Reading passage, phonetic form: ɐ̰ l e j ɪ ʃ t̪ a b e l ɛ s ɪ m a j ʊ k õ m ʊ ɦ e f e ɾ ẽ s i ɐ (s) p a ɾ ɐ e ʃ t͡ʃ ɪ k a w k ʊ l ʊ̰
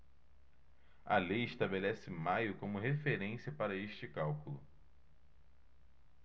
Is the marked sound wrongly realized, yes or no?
yes